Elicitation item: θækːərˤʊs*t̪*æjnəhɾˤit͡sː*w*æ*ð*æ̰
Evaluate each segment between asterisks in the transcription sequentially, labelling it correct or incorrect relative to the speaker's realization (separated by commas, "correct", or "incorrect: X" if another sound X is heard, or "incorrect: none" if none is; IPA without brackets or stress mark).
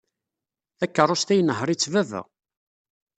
correct, incorrect: v, incorrect: v